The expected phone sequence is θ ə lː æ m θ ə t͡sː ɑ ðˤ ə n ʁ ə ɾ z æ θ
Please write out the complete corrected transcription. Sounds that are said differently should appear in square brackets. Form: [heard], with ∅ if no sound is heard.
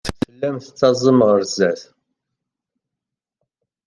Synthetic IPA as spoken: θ ə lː æ m θ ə t͡sː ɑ [zˤ] ə [m] ʁ ə ɾ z æ θ